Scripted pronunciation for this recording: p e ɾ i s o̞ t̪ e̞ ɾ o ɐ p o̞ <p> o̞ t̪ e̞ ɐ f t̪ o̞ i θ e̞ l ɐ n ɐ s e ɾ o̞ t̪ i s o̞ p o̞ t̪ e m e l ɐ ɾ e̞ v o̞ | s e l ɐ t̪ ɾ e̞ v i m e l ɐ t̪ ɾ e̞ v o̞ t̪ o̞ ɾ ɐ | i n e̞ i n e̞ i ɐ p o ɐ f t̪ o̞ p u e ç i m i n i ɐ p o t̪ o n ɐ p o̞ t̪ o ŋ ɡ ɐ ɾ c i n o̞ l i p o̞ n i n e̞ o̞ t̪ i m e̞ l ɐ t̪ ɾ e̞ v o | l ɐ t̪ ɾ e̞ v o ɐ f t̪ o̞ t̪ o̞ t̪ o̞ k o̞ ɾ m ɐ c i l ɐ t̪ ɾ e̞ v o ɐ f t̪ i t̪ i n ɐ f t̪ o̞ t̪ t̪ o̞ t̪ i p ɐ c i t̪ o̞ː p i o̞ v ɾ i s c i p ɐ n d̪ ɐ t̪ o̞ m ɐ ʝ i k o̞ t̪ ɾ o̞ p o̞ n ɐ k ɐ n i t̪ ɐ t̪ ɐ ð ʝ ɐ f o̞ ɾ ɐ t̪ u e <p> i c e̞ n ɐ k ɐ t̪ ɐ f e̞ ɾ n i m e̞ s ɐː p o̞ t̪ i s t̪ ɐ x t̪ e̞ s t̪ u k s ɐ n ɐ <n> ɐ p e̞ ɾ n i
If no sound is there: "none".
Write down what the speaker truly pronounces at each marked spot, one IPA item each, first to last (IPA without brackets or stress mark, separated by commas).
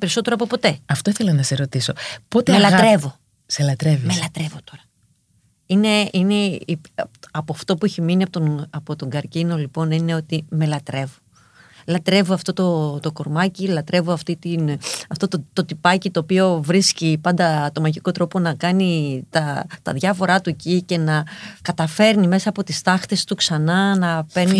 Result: p, c, n